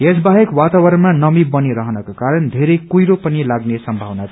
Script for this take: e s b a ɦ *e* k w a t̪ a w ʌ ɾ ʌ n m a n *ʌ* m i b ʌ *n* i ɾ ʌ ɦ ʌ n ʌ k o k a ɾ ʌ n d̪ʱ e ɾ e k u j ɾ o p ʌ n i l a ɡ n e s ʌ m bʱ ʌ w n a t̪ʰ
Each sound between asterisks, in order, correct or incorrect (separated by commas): correct, correct, correct